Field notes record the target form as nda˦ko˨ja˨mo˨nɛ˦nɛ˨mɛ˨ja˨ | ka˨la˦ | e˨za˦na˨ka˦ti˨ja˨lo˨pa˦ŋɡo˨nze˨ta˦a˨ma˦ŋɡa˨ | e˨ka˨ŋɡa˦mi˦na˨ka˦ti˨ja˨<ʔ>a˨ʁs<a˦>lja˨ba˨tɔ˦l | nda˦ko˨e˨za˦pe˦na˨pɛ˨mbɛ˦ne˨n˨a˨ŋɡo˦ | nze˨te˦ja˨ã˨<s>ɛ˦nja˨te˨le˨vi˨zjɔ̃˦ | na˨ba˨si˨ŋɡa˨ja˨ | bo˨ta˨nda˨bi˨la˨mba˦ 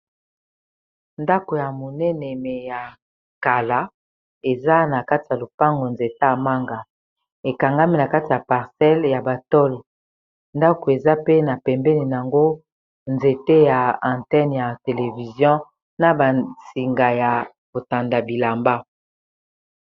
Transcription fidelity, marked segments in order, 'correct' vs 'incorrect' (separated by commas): incorrect, incorrect, incorrect